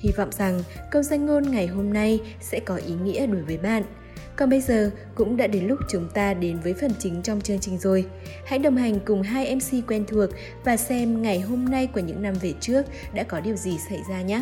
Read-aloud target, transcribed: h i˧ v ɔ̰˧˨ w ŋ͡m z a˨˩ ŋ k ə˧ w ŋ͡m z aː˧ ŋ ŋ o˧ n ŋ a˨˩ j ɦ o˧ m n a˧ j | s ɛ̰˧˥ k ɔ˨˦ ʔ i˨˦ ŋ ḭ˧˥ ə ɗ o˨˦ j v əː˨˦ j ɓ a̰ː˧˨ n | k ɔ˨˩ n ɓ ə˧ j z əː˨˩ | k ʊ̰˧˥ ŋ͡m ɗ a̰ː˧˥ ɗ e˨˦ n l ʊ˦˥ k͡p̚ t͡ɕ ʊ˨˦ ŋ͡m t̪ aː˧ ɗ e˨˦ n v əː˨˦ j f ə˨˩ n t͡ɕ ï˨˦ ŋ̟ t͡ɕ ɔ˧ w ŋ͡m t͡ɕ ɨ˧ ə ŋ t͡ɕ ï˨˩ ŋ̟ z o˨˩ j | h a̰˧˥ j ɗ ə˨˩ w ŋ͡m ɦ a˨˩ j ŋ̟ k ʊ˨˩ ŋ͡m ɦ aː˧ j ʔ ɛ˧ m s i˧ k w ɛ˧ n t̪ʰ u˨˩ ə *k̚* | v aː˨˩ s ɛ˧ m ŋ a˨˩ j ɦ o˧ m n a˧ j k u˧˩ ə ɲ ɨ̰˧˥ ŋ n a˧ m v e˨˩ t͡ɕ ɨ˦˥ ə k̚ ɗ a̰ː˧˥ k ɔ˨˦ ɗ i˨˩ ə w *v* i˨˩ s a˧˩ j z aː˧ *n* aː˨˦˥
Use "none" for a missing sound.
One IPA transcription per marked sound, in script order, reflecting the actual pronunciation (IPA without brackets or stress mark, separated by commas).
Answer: k̚, z, ɲ